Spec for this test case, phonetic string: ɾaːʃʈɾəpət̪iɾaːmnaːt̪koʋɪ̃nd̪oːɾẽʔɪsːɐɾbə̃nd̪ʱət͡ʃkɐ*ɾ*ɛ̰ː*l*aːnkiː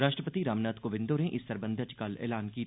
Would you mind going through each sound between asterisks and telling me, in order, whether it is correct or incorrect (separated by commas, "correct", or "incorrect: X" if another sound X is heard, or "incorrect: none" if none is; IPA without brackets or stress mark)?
incorrect: l, correct